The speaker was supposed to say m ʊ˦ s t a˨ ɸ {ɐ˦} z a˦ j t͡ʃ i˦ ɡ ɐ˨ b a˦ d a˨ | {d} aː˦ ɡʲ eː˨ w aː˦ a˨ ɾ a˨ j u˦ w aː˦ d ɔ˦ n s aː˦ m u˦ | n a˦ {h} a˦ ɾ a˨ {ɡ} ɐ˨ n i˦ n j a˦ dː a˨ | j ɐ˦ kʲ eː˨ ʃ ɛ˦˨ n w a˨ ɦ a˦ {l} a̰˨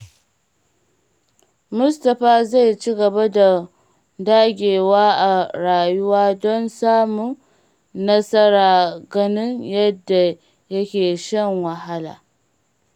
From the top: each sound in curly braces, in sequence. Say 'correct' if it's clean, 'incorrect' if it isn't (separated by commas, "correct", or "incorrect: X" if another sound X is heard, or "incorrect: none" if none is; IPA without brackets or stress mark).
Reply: incorrect: a˦, correct, incorrect: s, correct, correct